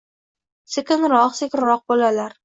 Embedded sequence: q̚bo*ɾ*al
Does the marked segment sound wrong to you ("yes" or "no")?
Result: yes